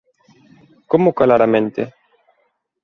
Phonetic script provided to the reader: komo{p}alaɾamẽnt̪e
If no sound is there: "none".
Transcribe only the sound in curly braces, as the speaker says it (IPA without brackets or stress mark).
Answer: k